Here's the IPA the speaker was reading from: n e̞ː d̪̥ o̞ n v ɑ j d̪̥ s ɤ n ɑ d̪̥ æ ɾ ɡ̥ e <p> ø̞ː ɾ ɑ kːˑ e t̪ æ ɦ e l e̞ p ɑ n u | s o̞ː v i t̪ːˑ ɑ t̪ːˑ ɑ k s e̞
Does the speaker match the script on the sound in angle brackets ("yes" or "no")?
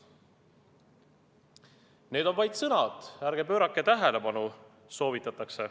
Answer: yes